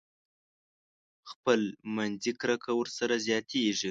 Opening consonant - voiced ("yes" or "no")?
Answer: no